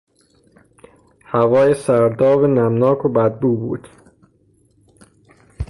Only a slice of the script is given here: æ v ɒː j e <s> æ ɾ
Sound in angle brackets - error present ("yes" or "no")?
no